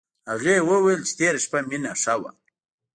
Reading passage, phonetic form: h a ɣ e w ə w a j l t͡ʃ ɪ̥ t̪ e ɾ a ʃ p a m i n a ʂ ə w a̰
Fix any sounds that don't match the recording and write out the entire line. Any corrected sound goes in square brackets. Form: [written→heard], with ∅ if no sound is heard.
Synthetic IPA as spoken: h a ɣ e w ə w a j l t͡ʃ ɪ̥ t̪ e ɾ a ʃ p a m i n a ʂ [ə→a] w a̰